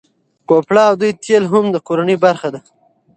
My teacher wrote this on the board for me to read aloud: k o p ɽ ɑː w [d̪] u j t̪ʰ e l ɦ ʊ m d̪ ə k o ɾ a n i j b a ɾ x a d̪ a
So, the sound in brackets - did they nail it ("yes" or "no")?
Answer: yes